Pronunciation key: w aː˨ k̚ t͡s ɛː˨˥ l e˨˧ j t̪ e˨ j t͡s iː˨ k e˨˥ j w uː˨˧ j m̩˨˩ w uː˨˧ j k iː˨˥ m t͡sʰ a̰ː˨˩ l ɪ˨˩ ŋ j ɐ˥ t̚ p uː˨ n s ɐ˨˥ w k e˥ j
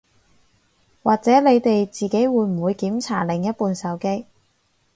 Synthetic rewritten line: w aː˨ k̚ t͡s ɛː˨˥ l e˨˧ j t̪ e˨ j t͡s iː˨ k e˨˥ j w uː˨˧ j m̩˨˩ w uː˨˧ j k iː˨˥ m t͡sʰ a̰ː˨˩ l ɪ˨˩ ŋ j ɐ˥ t̚ p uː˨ n s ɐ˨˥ w k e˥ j